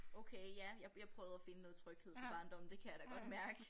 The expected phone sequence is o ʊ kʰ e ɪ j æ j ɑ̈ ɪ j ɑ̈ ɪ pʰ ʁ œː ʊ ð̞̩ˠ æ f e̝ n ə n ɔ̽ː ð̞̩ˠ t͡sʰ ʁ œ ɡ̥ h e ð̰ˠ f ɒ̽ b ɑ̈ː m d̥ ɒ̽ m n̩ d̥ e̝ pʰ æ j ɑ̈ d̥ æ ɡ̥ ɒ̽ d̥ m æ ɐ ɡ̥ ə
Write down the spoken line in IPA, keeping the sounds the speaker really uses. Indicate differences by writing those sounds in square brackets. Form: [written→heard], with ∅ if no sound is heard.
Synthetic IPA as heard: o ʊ kʰ e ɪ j æ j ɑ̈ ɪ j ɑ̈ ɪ pʰ ʁ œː ʊ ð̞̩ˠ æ f e̝ n ə n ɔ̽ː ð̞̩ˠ t͡sʰ ʁ œ ɡ̥ h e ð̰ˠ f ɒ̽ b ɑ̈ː [m→n] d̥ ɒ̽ m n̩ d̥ e̝ [pʰ→kʰ] æ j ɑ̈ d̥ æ ɡ̥ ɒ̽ d̥ m æ ɐ ɡ̥ ə